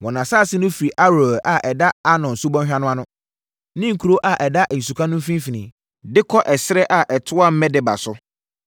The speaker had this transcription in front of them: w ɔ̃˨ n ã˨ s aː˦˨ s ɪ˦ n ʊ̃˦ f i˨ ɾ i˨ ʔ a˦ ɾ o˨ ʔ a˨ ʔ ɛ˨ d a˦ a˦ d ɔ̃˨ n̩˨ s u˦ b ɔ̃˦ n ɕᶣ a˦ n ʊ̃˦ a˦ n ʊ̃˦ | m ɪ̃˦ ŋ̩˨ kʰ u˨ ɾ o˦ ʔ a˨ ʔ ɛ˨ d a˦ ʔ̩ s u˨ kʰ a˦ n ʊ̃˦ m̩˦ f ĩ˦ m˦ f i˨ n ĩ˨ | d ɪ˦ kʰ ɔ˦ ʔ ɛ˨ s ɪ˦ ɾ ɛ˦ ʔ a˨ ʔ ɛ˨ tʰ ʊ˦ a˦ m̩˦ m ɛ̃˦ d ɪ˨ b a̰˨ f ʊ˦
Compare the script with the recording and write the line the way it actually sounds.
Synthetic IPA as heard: w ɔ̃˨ n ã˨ s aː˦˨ s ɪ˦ n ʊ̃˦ f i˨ ɾ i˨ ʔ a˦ ɾ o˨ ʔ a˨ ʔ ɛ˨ d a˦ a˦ n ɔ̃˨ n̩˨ s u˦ b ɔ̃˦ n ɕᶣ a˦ n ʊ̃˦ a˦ n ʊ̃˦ | n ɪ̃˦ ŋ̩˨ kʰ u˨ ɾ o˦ ʔ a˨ ʔ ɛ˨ d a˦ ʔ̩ s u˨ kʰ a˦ n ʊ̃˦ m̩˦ f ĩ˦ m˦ f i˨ n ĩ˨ | d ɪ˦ kʰ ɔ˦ ʔ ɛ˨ s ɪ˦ ɾ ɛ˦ ʔ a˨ ʔ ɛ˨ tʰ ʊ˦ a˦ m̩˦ m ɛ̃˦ d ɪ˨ b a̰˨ s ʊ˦